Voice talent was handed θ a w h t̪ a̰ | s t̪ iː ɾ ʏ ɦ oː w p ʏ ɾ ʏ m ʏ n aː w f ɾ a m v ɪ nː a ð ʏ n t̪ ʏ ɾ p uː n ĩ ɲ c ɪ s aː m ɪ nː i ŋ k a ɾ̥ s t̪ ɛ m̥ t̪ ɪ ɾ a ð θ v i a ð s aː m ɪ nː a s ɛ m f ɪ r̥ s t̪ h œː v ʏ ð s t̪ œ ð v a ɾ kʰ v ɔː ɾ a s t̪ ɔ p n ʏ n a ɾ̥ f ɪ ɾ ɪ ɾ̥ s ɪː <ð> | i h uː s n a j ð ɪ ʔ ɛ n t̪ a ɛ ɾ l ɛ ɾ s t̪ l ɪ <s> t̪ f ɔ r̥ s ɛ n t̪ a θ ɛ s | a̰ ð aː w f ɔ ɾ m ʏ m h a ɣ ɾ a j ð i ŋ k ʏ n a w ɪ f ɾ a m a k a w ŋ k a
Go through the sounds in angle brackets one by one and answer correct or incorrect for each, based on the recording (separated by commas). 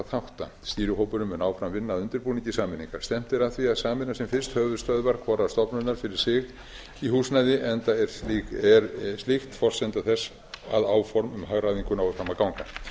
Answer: incorrect, incorrect